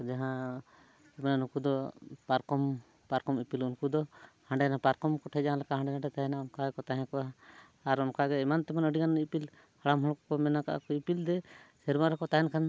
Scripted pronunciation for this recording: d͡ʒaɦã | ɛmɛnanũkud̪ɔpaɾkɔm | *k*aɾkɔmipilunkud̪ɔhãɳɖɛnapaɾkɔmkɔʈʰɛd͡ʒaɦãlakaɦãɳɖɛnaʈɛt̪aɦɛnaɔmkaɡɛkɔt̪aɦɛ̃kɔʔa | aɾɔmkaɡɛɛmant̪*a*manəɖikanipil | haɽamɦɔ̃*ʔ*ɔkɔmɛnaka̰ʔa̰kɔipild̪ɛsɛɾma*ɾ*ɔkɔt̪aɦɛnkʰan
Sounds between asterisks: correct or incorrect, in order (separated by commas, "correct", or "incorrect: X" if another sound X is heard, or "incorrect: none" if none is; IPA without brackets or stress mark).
incorrect: p, incorrect: ɛ, incorrect: k, correct